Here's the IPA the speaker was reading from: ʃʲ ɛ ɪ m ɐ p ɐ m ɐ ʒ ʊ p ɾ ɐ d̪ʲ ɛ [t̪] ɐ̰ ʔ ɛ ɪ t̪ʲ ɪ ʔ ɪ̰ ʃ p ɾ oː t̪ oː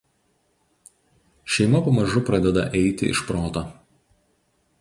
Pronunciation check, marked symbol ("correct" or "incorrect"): incorrect